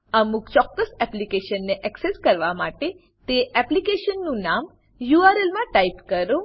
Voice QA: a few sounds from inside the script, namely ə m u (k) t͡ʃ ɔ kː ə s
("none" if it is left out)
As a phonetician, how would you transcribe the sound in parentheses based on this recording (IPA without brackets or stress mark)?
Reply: k